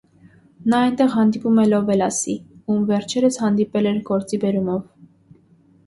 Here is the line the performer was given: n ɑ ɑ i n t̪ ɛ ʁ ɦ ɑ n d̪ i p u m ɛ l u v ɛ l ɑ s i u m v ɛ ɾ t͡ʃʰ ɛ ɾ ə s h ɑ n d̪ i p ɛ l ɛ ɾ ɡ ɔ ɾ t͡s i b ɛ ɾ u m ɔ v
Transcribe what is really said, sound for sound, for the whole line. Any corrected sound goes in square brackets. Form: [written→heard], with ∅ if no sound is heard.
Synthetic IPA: n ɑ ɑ [i→j] n t̪ ɛ ʁ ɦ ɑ n d̪ i p u m ɛ l [u→ɔ] v ɛ l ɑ s i u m v ɛ ɾ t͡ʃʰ ɛ ɾ ə s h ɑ n d̪ i p ɛ l ɛ ɾ ɡ ɔ ɾ t͡s i b ɛ ɾ u m ɔ v

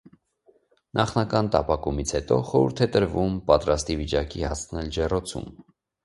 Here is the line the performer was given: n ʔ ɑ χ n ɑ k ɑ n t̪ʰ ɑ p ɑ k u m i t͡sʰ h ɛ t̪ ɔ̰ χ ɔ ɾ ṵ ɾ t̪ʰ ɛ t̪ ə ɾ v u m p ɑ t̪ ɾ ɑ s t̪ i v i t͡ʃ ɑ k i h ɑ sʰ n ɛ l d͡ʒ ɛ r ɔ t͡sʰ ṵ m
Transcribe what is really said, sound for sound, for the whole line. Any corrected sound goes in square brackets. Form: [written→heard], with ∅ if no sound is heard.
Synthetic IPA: n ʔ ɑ χ n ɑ k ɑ n [t̪ʰ→t̪] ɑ p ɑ k u m i t͡sʰ h ɛ t̪ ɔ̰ χ ɔ ɾ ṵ ɾ t̪ʰ ɛ t̪ ə ɾ v u m p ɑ t̪ ɾ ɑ s t̪ i v i t͡ʃ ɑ k i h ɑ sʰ n ɛ l d͡ʒ ɛ r ɔ t͡sʰ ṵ m

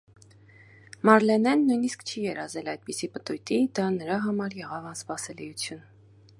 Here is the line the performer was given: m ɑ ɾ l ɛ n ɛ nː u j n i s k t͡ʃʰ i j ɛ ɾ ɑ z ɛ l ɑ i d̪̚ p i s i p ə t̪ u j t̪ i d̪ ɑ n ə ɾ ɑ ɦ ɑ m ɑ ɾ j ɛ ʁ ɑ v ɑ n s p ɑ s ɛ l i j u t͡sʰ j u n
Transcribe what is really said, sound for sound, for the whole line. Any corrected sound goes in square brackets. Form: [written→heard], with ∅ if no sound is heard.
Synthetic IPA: m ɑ ɾ l ɛ n ɛ nː u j n i s k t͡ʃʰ i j ɛ ɾ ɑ z ɛ l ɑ [i→j] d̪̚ p i s i p ə t̪ u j t̪ i d̪ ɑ n ə ɾ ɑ ɦ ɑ m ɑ ɾ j ɛ ʁ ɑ v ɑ n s p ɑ s ɛ l i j u t͡sʰ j u n

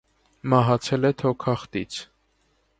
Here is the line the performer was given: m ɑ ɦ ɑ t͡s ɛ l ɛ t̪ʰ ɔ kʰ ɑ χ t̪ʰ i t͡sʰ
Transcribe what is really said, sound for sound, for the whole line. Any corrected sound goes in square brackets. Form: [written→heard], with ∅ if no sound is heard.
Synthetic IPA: m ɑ ɦ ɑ [t͡s→t͡sʰ] ɛ l ɛ t̪ʰ ɔ kʰ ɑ χ [t̪ʰ→t̪] i t͡sʰ

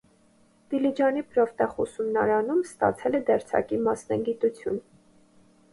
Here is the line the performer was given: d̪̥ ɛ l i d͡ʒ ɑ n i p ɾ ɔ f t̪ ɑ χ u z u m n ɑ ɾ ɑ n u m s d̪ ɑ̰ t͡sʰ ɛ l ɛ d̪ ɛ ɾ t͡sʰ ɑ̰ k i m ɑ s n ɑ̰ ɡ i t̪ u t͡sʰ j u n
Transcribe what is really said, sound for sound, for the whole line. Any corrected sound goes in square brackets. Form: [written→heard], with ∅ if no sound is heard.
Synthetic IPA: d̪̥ [ɛ→i] l i d͡ʒ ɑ n i p ɾ ɔ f t̪ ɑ χ u [z→s] u m n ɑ ɾ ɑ n u m s [d̪→t̪] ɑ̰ t͡sʰ ɛ l ɛ d̪ ɛ ɾ t͡sʰ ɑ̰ k i m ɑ s n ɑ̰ ɡ i t̪ u t͡sʰ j u n

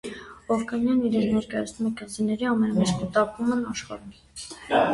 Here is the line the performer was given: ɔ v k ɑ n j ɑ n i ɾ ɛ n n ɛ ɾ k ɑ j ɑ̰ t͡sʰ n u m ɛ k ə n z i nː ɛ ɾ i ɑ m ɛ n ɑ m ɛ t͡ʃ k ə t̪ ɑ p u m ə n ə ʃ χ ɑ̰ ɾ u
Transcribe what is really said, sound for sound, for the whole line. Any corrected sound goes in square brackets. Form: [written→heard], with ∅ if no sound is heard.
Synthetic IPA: ɔ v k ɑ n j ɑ n i ɾ ɛ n n ɛ ɾ k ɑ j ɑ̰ t͡sʰ n u m ɛ k ə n z i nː ɛ ɾ i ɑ m ɛ n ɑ m ɛ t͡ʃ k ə t̪ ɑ p u m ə n [ə→ɑ] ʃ χ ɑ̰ ɾ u

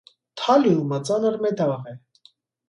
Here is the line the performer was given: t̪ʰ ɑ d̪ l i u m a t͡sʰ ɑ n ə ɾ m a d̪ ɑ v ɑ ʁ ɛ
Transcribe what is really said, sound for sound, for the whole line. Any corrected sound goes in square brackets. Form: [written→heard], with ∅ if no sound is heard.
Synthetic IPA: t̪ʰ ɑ [d̪→∅] l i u m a [t͡sʰ→t͡s] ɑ n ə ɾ m [a→ɛ] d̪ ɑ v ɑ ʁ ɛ

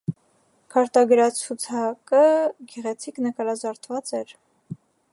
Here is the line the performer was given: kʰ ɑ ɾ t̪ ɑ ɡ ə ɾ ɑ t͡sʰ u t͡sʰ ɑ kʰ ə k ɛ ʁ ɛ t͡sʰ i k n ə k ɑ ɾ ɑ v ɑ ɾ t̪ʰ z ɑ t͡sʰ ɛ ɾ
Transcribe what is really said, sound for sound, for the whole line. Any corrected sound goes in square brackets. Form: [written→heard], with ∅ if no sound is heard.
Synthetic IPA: kʰ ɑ ɾ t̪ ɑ ɡ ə ɾ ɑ t͡sʰ u t͡sʰ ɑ [kʰ→k] ə [k→ɡ] ɛ ʁ ɛ t͡sʰ i k n ə k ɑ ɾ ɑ [v→z] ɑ ɾ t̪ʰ [z→v] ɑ [t͡sʰ→t͡s] ɛ ɾ

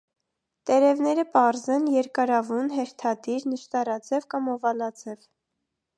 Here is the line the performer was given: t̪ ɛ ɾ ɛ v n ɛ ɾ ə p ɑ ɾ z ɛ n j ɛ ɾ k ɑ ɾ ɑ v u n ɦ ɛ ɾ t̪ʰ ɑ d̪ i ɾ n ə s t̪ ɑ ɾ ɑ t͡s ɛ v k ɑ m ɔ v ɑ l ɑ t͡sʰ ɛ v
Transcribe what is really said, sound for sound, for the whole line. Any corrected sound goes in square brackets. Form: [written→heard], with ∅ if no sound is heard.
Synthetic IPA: t̪ ɛ ɾ ɛ v n ɛ ɾ ə p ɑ ɾ z ɛ n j ɛ ɾ k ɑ ɾ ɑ v u n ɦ ɛ ɾ t̪ʰ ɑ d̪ i ɾ n ə [s→ʃ] t̪ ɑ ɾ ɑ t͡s ɛ v k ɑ m ɔ v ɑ l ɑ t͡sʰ ɛ v

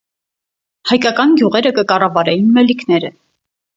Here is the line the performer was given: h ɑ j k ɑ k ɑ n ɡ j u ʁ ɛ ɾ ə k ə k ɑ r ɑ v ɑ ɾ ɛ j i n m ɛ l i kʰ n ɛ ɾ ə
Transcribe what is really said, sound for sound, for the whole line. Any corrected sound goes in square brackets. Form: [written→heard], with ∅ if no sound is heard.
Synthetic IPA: h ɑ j k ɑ k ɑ n ɡ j u ʁ ɛ ɾ ə k ə k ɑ r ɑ v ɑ ɾ ɛ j i n m ɛ l i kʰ n ɛ ɾ ə

